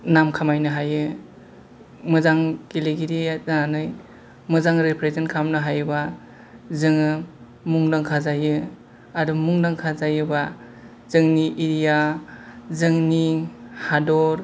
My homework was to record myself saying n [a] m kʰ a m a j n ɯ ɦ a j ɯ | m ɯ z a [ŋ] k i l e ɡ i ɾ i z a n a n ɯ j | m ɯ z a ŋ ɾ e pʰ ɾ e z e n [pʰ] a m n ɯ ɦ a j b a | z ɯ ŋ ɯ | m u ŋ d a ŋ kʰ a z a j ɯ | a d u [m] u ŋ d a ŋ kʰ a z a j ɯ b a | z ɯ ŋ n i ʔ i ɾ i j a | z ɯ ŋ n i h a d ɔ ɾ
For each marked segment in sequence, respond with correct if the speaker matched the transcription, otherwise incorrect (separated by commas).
correct, correct, incorrect, correct